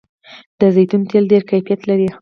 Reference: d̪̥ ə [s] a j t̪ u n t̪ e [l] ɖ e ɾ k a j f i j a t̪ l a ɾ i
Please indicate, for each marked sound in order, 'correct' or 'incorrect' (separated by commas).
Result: incorrect, correct